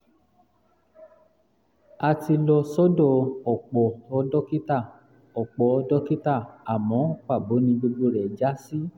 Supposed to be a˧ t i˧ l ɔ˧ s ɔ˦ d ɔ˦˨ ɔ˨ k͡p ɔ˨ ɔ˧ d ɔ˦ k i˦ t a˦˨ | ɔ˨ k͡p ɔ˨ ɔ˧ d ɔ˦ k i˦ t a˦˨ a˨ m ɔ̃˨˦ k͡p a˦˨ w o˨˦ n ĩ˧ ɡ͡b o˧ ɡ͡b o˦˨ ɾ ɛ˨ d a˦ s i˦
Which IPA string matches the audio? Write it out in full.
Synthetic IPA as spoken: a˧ t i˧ l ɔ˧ s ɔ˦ d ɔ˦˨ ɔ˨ k͡p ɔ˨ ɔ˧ d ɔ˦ k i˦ t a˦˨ | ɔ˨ k͡p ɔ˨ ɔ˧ d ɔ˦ k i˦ t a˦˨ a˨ m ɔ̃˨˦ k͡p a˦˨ b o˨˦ n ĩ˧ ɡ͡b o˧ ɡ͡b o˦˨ ɾ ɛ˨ d͡ʒ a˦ s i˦